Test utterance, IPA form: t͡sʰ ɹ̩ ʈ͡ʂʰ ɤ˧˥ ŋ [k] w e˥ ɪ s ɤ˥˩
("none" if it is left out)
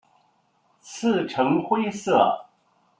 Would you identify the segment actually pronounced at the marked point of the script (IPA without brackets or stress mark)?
x